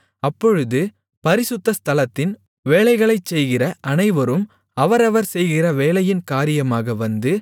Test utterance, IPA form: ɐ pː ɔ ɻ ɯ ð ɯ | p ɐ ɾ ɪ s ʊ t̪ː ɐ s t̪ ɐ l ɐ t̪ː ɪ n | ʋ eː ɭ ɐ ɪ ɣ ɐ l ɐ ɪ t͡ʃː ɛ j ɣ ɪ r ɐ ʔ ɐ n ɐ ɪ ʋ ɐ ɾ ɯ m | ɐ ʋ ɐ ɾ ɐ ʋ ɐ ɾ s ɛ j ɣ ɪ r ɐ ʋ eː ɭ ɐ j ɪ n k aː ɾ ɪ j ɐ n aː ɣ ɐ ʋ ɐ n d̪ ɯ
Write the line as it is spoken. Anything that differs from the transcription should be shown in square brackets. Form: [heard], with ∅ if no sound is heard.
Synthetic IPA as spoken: ɐ pː ɔ ɻ ɯ ð ɯ | p ɐ ɾ ɪ s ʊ t̪ː ɐ s t̪ ɐ l ɐ t̪ː ɪ n | ʋ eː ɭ ɐ ɪ ɣ ɐ [ɭ] ɐ ɪ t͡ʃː ɛ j ɣ ɪ r ɐ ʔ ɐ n ɐ ɪ ʋ ɐ ɾ ɯ m | ɐ ʋ ɐ ɾ ɐ ʋ ɐ ɾ s ɛ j ɣ ɪ r ɐ ʋ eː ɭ ɐ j ɪ n k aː ɾ ɪ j ɐ [m] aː ɣ ɐ ʋ ɐ n d̪ ɯ